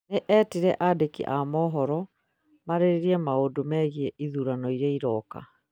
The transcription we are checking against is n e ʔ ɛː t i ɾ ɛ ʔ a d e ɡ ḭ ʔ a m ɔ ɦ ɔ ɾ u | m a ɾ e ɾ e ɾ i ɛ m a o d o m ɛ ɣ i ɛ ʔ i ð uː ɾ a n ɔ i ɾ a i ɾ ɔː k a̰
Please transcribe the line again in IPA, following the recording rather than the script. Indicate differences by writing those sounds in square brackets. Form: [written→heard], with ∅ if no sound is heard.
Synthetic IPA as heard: n e ʔ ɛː t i ɾ ɛ ʔ a d e [ɡ→k] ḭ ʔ a m ɔ ɦ ɔ ɾ [u→ɔ] | m a ɾ e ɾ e ɾ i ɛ m a o d o m ɛ ɣ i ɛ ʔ i ð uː ɾ a n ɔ i ɾ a i ɾ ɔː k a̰